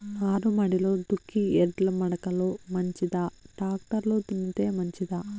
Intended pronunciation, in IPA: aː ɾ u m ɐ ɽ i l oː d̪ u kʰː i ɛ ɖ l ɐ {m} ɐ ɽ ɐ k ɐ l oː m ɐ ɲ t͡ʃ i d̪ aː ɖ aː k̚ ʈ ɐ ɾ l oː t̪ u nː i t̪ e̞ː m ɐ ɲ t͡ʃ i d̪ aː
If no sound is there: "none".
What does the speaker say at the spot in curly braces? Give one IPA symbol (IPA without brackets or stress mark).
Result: m